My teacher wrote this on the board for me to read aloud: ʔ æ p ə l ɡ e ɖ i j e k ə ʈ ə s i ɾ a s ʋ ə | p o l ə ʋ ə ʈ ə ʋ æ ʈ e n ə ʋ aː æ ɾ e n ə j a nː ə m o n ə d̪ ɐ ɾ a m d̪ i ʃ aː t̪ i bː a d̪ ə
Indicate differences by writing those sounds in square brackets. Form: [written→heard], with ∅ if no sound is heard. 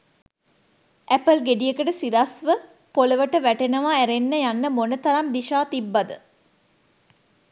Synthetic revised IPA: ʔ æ p ə l ɡ e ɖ i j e k ə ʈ ə s i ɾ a s ʋ ə | p o l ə ʋ ə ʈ ə ʋ æ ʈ e n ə ʋ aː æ ɾ e [n→nː] ə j a nː ə m o n ə [d̪→t̪] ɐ ɾ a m d̪ i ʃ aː t̪ i bː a d̪ ə

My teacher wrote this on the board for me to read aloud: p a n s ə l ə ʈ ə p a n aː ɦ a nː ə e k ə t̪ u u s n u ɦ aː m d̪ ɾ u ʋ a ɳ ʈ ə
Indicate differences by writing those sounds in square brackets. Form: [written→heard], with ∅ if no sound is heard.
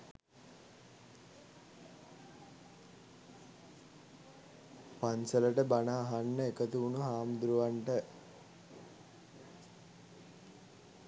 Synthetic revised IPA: p a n s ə l ə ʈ ə [p→b] a n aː ɦ a nː ə e k ə t̪ u u [s→∅] n u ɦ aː m d̪ ɾ u ʋ a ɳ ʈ ə

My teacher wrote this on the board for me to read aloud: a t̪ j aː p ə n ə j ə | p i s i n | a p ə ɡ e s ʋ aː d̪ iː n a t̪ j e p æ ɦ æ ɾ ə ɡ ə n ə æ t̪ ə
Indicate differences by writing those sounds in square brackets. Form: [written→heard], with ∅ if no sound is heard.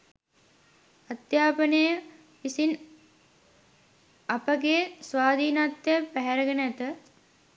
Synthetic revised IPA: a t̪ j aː p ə n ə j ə | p i s i n | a p ə ɡ e s ʋ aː d̪ iː n a t̪ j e p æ ɦ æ ɾ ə ɡ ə n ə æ t̪ ə

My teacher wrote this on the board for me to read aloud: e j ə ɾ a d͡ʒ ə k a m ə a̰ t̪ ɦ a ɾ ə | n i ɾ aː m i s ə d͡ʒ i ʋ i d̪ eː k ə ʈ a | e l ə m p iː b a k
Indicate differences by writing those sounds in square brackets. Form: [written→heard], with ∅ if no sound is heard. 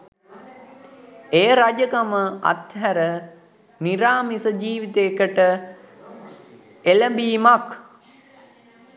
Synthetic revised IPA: e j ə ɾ a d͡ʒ ə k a m ə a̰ t̪ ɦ [a→æ] ɾ ə | n i ɾ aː m i s ə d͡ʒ [i→iː] ʋ i [d̪→t̪] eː k ə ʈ [a→ə] | e l ə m [p→b] iː [b→m] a k

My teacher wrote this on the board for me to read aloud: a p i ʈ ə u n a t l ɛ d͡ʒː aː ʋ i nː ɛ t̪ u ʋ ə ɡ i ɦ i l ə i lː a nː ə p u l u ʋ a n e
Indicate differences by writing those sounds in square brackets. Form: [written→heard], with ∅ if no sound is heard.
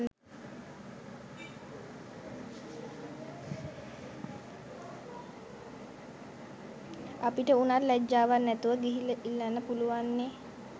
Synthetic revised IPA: a p i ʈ ə u n a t l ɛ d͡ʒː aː ʋ [i→a] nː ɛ t̪ u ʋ ə ɡ i ɦ i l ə i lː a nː ə p u l u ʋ a [n→nː] e

